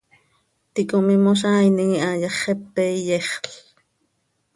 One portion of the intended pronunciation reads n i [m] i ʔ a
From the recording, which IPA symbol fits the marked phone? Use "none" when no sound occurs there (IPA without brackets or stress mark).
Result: ŋ